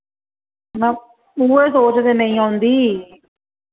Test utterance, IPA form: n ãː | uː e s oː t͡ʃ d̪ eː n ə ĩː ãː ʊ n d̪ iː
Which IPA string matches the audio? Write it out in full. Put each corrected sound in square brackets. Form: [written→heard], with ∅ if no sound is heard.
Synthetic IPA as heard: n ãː | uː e s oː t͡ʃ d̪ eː n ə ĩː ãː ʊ n d̪ iː